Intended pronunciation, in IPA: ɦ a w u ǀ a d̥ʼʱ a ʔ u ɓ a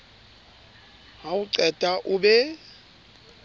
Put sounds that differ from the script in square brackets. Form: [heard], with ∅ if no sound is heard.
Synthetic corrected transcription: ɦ a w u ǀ [ɛ] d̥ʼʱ a ʔ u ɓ [ɛ]